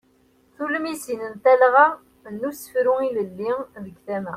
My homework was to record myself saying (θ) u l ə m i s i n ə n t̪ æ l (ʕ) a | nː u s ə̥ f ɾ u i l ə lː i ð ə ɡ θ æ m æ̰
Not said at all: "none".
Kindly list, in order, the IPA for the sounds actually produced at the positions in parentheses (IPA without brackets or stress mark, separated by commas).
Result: θ, ʁ